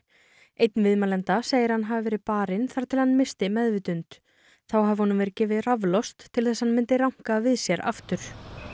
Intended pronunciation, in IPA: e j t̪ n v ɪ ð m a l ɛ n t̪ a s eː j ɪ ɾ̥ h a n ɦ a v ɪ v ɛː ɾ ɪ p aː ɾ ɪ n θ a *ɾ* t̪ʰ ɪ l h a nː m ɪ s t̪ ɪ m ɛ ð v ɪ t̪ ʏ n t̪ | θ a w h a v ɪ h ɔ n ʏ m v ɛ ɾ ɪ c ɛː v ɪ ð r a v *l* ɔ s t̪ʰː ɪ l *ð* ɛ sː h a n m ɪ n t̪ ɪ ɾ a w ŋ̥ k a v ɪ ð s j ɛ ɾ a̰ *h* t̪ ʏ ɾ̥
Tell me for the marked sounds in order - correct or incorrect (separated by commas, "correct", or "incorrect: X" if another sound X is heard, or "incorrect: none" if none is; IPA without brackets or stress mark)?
correct, correct, incorrect: θ, incorrect: f